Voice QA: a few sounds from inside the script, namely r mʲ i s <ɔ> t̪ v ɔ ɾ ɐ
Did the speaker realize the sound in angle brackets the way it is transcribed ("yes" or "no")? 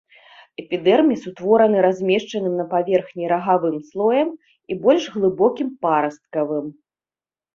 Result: no